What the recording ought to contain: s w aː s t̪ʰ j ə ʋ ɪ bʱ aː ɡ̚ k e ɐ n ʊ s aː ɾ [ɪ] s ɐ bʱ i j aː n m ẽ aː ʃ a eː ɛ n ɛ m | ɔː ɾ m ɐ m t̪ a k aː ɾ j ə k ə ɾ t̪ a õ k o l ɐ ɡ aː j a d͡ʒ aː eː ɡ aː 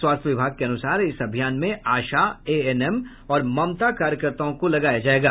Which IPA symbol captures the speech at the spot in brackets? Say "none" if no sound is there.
ɪ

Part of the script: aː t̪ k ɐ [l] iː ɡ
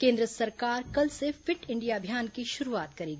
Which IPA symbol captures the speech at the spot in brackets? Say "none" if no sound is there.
ɾ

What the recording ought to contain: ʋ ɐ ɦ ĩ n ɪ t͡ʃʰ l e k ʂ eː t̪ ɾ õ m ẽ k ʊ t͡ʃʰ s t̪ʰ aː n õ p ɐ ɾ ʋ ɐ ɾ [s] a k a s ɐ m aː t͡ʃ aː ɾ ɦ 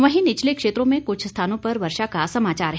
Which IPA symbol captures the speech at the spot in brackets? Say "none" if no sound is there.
ʃ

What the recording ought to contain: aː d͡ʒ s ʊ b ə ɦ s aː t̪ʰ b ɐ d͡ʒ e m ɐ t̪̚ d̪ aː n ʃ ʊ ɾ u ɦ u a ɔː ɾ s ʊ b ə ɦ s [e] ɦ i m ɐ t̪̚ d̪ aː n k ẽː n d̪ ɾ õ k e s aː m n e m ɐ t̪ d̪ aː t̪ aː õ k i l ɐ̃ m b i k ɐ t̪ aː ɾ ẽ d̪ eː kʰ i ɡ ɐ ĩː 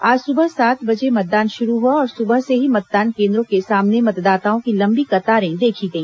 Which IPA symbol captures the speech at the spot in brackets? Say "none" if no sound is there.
e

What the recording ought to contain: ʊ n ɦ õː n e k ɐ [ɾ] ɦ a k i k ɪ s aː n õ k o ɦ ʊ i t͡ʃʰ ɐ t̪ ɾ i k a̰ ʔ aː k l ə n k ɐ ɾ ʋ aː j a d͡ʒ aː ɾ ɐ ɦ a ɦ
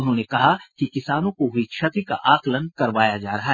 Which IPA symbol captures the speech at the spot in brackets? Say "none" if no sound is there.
none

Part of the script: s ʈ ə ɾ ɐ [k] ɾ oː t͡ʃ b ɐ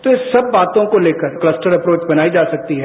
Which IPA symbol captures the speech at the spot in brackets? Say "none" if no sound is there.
p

